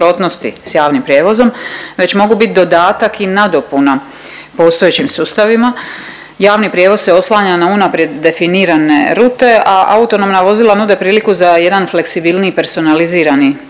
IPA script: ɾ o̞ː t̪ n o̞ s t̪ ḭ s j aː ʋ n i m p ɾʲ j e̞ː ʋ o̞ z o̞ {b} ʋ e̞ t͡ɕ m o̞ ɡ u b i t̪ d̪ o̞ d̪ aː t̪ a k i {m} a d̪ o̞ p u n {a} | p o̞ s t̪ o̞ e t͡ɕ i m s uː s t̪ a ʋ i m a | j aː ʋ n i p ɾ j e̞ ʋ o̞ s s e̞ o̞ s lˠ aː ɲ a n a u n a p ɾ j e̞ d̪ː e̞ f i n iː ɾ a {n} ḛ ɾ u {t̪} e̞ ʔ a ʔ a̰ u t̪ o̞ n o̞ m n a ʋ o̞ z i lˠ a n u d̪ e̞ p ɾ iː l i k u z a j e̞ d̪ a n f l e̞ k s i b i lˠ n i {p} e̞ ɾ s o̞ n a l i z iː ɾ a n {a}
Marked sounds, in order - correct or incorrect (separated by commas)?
incorrect, incorrect, correct, correct, correct, correct, incorrect